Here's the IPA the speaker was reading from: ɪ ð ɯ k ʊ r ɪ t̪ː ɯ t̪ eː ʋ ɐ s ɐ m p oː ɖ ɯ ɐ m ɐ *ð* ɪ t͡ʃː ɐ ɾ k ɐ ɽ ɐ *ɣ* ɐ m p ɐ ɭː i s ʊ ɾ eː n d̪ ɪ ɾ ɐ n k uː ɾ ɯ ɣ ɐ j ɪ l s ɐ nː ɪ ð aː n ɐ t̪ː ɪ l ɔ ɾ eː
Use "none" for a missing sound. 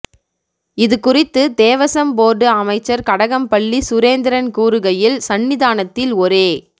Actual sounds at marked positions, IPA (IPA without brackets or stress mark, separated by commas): none, ɣ